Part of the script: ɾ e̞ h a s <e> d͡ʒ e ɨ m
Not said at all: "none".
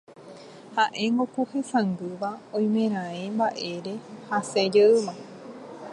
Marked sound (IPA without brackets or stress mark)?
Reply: e